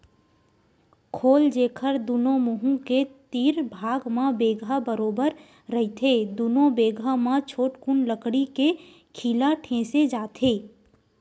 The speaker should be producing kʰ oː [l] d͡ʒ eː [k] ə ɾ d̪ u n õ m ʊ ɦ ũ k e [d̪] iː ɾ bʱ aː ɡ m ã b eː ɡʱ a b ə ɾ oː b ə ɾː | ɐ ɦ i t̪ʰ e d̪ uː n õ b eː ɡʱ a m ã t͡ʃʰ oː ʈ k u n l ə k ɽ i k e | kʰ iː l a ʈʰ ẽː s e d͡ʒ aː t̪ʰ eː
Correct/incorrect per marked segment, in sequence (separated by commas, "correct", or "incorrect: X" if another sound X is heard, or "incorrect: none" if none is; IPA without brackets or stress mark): correct, incorrect: kʰ, incorrect: t̪